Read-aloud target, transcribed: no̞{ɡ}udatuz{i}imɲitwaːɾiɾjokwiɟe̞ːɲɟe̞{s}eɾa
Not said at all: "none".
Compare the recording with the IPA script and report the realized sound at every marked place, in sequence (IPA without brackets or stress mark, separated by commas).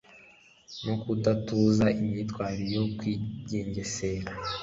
k, a, s